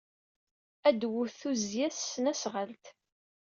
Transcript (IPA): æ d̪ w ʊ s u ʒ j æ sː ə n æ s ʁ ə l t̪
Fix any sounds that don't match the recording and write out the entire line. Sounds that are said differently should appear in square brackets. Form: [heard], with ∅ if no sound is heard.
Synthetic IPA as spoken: æ d̪ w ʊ [θ] u [z] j æ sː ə n æ s ʁ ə l t̪